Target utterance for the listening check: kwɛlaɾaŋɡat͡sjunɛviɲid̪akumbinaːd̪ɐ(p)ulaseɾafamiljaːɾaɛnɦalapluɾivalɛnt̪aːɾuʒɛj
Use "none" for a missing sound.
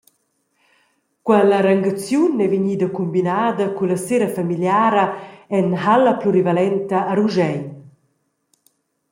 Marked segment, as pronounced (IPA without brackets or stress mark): k